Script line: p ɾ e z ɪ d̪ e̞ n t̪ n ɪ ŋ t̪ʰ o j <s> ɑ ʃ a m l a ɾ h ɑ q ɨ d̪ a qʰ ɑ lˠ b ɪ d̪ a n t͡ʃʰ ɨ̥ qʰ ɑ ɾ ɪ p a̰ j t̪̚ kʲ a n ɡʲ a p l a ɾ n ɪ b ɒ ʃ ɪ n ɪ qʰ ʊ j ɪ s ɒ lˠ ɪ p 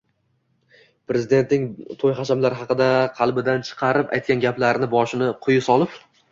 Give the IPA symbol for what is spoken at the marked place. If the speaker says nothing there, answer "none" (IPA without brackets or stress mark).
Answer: χ